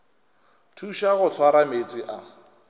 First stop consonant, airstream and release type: aspirated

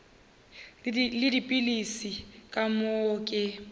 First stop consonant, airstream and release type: plain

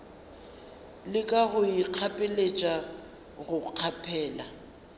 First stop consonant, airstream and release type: ejective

